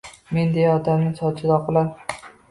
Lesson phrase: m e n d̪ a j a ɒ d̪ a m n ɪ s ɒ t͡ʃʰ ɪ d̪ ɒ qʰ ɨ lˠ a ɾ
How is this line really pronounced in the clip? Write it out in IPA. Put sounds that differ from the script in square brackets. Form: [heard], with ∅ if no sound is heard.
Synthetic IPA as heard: m e n d̪ [e] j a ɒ d̪ a m n ɪ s ɒ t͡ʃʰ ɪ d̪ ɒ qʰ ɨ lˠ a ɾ